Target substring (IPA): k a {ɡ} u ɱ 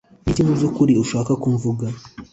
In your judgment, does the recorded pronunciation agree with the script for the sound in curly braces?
no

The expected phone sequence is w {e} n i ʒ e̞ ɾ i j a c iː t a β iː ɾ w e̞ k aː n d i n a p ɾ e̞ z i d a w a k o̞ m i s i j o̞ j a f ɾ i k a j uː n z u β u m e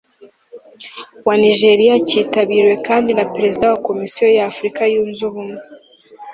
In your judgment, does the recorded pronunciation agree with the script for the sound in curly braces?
no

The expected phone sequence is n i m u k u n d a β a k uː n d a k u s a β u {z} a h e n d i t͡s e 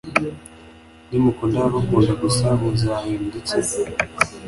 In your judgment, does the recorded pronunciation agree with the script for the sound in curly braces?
yes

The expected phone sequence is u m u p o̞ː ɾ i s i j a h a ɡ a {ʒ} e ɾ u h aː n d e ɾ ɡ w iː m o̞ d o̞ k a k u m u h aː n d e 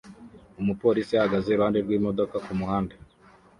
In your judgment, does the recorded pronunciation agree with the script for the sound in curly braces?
no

